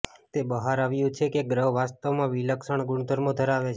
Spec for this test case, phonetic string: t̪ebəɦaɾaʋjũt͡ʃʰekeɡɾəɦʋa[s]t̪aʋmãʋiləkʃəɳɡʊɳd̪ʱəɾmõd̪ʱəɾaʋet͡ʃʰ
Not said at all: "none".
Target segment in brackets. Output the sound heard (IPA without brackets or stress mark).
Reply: s